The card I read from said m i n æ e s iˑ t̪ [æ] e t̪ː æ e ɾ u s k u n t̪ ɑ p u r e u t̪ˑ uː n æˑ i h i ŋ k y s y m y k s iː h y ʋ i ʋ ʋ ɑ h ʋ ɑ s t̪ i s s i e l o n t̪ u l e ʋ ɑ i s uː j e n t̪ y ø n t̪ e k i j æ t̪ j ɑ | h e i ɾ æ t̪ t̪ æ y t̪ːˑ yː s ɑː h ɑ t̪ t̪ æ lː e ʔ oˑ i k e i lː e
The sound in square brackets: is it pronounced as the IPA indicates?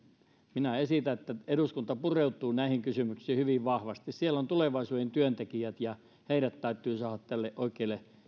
yes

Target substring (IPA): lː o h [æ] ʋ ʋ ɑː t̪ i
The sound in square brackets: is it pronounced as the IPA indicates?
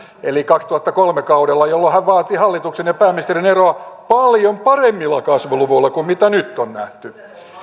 yes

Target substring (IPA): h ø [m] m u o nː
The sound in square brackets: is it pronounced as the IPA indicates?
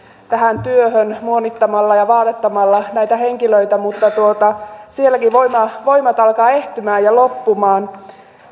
no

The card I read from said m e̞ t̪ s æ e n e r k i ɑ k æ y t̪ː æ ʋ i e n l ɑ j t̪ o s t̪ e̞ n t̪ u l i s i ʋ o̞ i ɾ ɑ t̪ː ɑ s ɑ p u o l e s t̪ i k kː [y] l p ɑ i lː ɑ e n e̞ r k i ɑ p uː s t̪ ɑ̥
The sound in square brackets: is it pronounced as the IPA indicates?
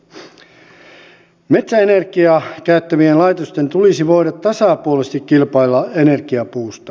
no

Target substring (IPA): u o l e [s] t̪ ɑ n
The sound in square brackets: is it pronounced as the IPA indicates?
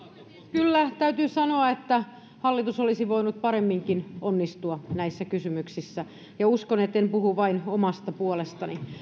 yes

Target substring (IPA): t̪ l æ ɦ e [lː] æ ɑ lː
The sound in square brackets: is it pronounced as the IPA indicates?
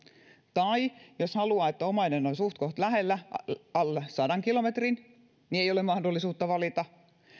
yes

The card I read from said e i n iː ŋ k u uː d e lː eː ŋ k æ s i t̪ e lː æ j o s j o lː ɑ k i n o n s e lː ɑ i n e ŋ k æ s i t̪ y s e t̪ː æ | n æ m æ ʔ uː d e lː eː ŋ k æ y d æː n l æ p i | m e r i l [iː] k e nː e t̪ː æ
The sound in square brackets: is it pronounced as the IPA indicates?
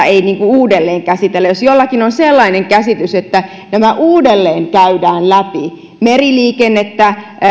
yes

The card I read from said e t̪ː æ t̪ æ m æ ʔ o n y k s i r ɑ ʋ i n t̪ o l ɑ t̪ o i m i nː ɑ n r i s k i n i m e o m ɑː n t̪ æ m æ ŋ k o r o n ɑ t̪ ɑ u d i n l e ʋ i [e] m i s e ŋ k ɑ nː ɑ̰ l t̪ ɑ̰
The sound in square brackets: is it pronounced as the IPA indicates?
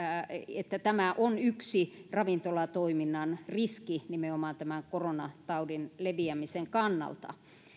no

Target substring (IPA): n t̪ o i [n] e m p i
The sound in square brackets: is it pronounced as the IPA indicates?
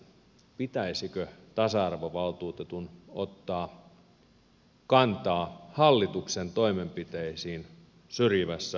no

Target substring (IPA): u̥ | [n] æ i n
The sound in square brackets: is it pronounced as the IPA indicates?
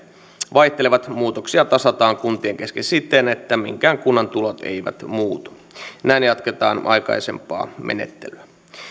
yes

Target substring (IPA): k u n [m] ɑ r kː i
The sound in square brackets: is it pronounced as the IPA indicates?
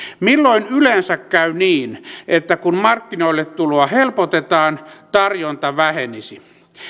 yes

